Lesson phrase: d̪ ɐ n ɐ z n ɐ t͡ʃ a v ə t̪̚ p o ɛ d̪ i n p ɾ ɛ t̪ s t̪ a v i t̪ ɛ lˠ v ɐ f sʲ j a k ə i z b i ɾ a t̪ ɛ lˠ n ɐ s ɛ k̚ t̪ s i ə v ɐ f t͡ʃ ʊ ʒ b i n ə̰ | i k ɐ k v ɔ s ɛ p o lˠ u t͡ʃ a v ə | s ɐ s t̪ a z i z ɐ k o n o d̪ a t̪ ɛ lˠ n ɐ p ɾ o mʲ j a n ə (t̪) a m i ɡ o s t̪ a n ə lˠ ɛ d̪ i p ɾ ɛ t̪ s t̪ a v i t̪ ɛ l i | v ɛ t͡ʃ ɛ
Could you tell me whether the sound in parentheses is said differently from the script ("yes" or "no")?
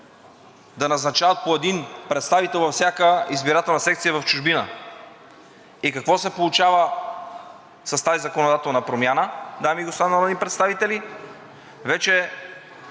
yes